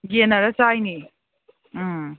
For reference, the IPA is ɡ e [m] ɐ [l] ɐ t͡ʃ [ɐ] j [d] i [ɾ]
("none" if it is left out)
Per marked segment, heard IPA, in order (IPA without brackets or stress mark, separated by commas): n, ɾ, a, n, none